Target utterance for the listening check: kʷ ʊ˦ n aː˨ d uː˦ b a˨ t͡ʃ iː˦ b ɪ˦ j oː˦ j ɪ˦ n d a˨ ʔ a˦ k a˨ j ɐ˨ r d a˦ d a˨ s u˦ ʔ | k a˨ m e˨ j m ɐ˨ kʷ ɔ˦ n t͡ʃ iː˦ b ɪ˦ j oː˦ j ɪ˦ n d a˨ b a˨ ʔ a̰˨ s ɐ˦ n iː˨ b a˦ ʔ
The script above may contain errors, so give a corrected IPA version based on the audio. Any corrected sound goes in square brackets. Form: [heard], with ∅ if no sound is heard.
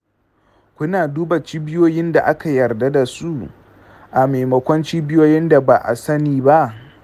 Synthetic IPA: kʷ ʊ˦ n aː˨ d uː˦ b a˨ t͡ʃ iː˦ b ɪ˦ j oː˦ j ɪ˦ n d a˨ ʔ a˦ k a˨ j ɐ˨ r d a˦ d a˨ s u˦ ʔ | [ʔ] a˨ m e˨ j m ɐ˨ kʷ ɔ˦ n t͡ʃ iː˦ b ɪ˦ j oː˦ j ɪ˦ n d a˨ b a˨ ʔ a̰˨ s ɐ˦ n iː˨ b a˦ ʔ